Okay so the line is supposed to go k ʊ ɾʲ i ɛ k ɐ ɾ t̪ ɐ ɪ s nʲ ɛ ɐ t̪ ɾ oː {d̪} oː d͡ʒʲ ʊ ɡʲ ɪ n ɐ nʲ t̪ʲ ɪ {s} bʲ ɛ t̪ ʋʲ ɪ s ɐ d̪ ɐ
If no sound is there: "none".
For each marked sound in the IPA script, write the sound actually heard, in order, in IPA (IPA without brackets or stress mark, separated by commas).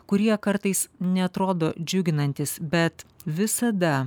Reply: d̪, s